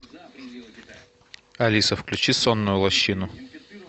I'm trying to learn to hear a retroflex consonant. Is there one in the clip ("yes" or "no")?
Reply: no